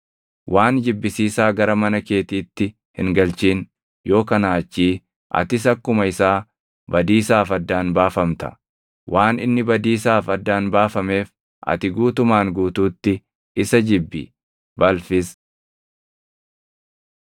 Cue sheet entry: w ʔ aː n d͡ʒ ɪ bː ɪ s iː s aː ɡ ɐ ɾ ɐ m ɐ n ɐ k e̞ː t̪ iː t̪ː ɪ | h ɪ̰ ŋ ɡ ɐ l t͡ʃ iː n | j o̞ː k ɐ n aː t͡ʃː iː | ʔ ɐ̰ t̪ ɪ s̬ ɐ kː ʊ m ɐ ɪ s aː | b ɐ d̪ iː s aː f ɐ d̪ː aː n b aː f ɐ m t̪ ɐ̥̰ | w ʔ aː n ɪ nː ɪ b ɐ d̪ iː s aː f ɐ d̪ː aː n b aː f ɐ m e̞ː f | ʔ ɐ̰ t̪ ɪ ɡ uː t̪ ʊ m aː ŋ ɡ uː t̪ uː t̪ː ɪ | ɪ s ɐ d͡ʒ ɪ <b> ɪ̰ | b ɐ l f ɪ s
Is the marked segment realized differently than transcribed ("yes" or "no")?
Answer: yes